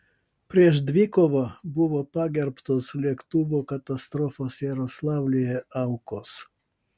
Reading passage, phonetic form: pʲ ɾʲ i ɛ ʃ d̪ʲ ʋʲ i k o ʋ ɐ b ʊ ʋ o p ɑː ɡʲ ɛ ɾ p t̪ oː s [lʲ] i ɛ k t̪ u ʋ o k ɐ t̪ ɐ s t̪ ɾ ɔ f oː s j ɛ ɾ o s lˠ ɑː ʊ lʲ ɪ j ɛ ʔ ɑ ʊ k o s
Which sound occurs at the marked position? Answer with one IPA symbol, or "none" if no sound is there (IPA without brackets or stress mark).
lʲ